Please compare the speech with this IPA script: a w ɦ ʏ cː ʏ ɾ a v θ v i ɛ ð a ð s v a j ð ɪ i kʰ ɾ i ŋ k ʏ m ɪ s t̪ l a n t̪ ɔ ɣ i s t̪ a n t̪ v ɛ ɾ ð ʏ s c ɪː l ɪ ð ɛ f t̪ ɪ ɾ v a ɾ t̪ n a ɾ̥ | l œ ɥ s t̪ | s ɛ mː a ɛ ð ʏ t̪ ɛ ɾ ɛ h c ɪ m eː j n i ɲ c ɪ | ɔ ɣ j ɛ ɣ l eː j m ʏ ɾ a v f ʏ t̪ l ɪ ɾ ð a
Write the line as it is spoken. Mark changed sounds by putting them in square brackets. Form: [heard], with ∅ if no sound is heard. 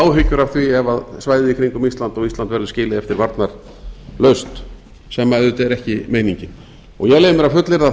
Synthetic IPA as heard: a w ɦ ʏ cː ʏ ɾ a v θ v i ɛ [v] a ð s v a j ð ɪ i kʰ ɾ i ŋ k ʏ m [i] s t̪ l a n t̪ ɔ ɣ i s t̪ a n t̪ v ɛ ɾ ð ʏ s c ɪː l ɪ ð ɛ f t̪ ɪ ɾ v a ɾ t̪ n a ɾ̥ | l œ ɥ s t̪ | s ɛ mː a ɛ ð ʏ t̪ ɛ ɾ ɛ h c ɪ m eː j n i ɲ c ɪ | ɔ ɣ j ɛ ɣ l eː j m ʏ ɾ a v f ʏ t̪ l ɪ ɾ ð a